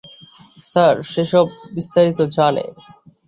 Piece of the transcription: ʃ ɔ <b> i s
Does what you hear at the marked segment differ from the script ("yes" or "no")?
yes